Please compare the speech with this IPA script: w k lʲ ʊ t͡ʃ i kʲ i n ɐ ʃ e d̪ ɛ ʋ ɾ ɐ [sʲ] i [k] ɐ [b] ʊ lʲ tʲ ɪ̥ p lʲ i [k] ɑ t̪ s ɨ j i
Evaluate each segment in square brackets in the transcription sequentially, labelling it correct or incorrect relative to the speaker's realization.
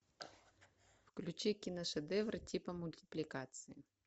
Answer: incorrect: tʲ, incorrect: p, incorrect: m, correct

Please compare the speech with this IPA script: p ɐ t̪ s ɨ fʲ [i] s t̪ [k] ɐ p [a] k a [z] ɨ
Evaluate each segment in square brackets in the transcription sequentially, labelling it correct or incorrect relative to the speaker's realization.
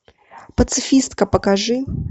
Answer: correct, correct, incorrect: ɐ, incorrect: ʐ

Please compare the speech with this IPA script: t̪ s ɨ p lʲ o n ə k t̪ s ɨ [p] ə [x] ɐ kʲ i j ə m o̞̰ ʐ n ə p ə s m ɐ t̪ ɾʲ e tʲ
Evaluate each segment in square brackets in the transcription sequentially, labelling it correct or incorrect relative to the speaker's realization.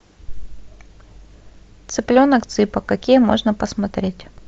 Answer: correct, incorrect: k

